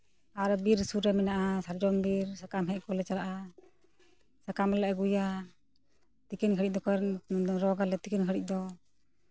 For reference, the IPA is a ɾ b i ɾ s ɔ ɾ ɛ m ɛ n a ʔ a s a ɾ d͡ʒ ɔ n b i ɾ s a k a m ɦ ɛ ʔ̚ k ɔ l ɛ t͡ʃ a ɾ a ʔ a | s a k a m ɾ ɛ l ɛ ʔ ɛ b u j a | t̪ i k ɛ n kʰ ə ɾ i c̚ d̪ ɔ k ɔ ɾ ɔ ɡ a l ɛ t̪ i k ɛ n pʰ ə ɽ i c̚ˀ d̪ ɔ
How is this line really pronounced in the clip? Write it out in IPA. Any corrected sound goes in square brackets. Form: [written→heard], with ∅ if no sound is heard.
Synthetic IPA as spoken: a ɾ b i ɾ s [ɔ→u] ɾ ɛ m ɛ n a ʔ a s a ɾ d͡ʒ ɔ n b i ɾ s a k a m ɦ ɛ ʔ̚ k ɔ l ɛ t͡ʃ a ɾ a ʔ a | s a k a m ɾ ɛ l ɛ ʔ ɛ [b→ɡ] u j a | t̪ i k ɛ n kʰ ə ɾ i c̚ d̪ ɔ k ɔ ɾ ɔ ɡ a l ɛ t̪ i k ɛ n [pʰ→kʰ] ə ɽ i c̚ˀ d̪ ɔ